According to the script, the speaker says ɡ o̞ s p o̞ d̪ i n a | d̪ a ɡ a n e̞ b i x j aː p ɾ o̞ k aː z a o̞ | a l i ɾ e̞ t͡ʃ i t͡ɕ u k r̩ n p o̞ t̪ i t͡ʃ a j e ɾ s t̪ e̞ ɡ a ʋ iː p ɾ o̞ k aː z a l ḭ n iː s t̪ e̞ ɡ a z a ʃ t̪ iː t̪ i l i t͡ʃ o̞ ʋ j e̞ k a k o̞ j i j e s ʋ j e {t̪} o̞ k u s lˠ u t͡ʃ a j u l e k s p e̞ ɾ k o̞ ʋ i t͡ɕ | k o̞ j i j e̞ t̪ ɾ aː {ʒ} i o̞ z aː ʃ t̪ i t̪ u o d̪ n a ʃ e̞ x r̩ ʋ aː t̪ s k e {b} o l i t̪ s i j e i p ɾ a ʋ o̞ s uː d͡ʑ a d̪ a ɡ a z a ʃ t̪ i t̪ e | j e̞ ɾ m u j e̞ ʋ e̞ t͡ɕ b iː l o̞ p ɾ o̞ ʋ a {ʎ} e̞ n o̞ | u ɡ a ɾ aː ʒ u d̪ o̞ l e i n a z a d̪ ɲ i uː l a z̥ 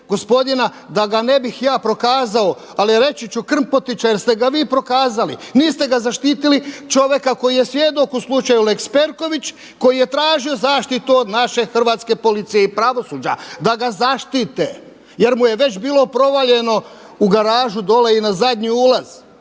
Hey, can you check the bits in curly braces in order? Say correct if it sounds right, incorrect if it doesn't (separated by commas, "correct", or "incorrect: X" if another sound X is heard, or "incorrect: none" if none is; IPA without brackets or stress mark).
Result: incorrect: d̪, correct, incorrect: p, correct